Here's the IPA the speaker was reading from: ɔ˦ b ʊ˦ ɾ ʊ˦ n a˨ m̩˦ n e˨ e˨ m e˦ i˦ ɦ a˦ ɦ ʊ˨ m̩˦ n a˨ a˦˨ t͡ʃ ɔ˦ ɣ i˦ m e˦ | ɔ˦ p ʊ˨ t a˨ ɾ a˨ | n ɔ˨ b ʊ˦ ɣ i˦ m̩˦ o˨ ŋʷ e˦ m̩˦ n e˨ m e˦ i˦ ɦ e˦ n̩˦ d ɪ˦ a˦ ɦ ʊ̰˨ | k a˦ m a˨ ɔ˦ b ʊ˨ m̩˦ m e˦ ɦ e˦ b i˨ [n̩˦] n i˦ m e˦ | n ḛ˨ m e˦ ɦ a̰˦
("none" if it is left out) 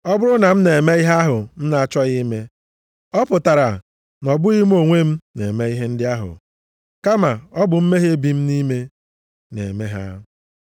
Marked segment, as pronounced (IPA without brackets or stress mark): m̩˦